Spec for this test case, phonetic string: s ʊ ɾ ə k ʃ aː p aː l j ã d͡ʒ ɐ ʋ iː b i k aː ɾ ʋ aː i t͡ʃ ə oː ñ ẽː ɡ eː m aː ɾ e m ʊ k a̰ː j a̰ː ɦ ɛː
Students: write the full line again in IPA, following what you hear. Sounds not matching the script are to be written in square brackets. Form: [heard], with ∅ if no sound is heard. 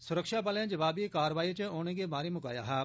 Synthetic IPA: s ʊ ɾ ə k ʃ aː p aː l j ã d͡ʒ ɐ ʋ [aː] b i k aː ɾ ʋ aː i t͡ʃ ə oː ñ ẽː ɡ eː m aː ɾ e m ʊ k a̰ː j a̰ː ɦ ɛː